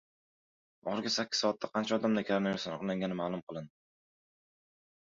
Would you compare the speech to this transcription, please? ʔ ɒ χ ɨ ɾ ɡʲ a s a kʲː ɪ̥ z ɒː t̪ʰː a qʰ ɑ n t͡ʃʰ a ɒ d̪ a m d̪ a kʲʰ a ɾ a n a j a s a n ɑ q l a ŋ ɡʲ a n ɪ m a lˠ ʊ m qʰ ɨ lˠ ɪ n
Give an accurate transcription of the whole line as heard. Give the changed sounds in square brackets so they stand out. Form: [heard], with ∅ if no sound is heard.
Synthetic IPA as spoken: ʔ ɒ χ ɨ ɾ ɡʲ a s a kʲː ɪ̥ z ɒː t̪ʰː a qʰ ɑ n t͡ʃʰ a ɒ d̪ a m d̪ a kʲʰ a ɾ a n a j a s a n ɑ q l a ŋ ɡʲ a n ɪ m a lˠ ʊ m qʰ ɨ lˠ ɪ n